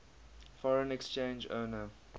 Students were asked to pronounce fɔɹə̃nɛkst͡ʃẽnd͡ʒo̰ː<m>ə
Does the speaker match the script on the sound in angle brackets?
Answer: no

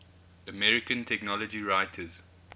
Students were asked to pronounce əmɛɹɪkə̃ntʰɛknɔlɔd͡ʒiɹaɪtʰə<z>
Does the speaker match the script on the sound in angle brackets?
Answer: yes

